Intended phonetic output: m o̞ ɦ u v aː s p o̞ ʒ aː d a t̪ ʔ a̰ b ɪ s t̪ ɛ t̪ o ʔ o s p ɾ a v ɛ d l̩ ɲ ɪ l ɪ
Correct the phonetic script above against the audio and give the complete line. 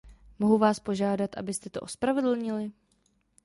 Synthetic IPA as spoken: m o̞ ɦ u v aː s p o̞ ʒ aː d a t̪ ʔ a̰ b ɪ s t̪ ɛ t̪ o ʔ o s p ɾ a v ɛ d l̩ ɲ ɪ l ɪ